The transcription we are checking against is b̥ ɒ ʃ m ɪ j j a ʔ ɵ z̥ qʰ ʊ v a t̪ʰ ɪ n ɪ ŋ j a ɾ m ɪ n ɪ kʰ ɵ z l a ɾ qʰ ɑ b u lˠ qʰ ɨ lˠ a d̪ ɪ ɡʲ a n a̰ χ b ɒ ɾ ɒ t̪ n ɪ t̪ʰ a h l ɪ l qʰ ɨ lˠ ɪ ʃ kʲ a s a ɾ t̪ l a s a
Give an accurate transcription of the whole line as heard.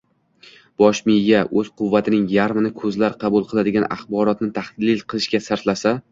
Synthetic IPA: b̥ ɒ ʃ m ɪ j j a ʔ ɵ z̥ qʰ ʊ vː a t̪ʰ ɪ n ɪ ŋ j a ɾ m ɪ n ɪ kʰ ɵ z l a ɾ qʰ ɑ b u lˠ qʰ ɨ lˠ a d̪ ɪ ɡʲ a n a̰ χ b ɒ ɾ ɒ t̪ n ɪ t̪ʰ a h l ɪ l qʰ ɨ lˠ ɪ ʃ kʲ a s a ɾ t̪ l a s a

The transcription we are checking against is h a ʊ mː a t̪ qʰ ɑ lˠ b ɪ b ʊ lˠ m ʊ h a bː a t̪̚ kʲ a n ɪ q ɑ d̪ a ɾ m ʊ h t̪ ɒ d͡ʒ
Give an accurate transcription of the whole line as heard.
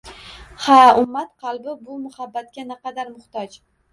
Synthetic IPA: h a ʊ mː a t̪ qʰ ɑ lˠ b ɪ b ʊ m ʊ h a bː a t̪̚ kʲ a n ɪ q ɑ d̪ a ɾ m ʊ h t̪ ɒ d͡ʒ

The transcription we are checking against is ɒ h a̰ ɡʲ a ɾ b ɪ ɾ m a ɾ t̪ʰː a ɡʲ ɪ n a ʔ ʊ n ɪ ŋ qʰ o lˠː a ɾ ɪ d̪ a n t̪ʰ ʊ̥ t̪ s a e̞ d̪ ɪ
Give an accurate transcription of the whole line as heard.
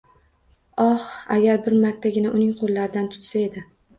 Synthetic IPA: ɒ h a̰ ɡʲ a ɾ b ɪ ɾ m a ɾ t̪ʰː a ɡʲ ɪ n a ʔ ʊ n ɪ ŋ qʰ o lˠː a ɾ ɪ d̪ a n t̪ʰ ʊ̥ t̪ s a e̞ d̪ ɪ

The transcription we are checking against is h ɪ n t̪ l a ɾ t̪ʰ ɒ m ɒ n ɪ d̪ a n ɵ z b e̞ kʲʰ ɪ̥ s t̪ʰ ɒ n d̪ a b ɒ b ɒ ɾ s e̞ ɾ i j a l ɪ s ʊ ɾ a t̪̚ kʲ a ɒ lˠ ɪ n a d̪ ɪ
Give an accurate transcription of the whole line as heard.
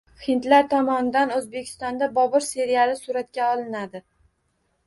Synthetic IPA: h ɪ n t̪ l a ɾ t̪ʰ ɒ m ɒ n ɪ d̪ a n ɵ z b e̞ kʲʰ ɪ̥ s t̪ ɒ n d̪ a b ɒ b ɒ ɾ s e̞ ɾ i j a l ɪ s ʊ ɾ a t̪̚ kʲ a ɒ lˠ ɪ n a d̪ ɪ

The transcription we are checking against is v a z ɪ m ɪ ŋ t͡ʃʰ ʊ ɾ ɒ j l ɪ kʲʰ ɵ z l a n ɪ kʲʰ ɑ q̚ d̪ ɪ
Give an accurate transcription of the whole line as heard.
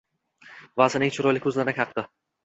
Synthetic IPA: v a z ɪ n ɪ ŋ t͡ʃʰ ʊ ɾ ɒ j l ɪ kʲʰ ɵ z l a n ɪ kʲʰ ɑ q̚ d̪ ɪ

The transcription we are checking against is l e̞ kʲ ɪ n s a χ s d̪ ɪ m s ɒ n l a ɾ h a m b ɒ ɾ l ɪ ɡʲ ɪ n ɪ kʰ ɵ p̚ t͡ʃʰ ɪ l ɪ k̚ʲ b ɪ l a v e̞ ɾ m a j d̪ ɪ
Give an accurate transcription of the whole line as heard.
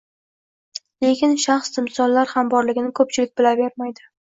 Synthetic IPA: l e̞ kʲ ɪ n ʃ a χ s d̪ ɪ m s ɒ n l a ɾ h a m b ɒ ɾ l ɪ ɡʲ ɪ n ɪ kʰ ɵ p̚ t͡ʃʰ ɪ l ɪ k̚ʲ b ɪ l a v e̞ ɾ m a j d̪ ɪ

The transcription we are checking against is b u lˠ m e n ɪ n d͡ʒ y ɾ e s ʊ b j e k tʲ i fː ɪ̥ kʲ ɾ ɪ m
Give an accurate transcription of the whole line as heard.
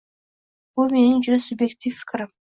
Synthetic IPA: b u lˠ m e n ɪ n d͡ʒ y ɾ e s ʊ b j e k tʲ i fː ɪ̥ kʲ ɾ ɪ m

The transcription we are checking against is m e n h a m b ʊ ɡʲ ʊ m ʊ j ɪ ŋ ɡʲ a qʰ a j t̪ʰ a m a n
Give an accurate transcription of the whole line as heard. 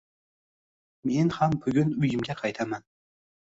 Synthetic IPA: m e n h a m b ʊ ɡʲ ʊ n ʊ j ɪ m ɡʲ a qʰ ɑ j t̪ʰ a m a n

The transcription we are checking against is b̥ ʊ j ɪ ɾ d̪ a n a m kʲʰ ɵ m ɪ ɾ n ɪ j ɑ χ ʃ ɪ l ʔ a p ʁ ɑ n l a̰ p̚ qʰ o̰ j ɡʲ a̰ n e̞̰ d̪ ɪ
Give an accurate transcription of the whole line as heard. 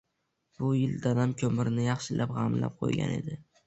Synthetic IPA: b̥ ʊ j ɪ l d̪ a n a m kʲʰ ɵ m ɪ ɾ n ɪ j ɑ χ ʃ ɪ l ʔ a p ʁ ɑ m l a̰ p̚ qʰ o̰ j ɡʲ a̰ n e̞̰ d̪ ɪ

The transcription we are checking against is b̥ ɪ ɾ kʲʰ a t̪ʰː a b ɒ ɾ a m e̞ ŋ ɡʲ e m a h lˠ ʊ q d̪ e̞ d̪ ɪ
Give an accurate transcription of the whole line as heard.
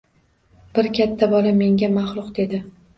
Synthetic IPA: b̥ ɪ ɾ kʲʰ a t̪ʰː a b ɒ l a m e̞ ŋ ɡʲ a m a χ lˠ ʊ q d̪ e̞ d̪ ɪ

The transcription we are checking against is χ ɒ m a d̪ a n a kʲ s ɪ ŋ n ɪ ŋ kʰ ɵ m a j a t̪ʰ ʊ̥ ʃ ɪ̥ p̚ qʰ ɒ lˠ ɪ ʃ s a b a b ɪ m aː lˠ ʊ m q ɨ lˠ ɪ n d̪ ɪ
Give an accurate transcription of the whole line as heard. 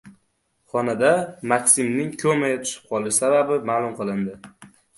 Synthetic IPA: χ ɒ n a d̪ a m a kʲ s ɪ m n ɪ ŋ kʰ ɵ m a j a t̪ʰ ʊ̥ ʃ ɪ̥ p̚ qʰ ɒ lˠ ɪ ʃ s a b a b ɪ m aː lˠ ʊ m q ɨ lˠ ɪ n d̪ ɪ

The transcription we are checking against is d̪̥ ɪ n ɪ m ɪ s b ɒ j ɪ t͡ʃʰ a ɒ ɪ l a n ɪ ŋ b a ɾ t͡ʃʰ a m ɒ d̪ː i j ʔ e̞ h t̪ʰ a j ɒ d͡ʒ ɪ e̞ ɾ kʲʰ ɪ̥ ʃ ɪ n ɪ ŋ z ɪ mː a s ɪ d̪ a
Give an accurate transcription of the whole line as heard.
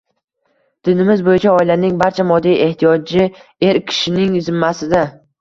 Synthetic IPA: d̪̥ ɪ n ɪ m ɪ z b o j ɪ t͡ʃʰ a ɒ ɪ l a n ɪ ŋ b a ɾ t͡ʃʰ a m ɒ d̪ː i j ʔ e̞ h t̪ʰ i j ɒ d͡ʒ ɪ e̞ ɾ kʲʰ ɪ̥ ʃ ɪ n ɪ ŋ z ɪ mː a s ɪ d̪ a

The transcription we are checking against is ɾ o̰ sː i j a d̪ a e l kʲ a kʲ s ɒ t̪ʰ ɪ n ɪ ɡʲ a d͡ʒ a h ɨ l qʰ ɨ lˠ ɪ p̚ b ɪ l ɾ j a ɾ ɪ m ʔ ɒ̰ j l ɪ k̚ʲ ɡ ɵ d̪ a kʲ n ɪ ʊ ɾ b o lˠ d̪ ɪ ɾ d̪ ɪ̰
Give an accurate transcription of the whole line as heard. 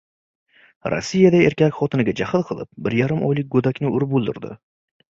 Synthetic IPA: ɾ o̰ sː i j a d̪ a e ɾ kʲ a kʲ χ ɒ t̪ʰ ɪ n ɪ ɡʲ a d͡ʒ a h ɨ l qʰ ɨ lˠ ɪ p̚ b ɪ ɾ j a ɾ ɪ m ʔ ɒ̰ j l ɪ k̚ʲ ɡ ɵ d̪ a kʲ n ɪ ʊ ɾ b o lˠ d̪ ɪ ɾ d̪ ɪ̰

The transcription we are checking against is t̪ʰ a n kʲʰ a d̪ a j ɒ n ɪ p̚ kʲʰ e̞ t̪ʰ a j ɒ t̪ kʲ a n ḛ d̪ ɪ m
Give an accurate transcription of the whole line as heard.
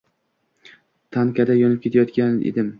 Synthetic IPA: t̪ʰ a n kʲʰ a d̪ a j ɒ n ɪ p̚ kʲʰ e̞ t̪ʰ a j ɒ t̪ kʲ a n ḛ d̪ ɪ m

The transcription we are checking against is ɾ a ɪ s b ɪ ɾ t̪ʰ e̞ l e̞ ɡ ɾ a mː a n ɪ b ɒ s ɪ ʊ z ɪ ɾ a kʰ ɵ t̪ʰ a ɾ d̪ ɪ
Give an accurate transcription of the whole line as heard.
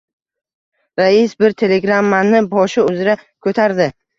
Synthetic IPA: ɾ a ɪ s b ɪ ɾ t̪ʰ e̞ l e̞ ɡ ɾ a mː a n ɪ b ɒ ʃ ɪ ʊ z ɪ ɾ a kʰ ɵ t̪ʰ a ɾ d̪ ɪ

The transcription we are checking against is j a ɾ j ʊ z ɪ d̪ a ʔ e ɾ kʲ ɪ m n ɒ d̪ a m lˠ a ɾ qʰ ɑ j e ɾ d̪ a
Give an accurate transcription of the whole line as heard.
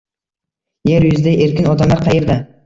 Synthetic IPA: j e ɾ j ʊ z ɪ d̪ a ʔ e ɾ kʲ ɪ n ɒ d̪ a m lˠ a ɾ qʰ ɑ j e ɾ d̪ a

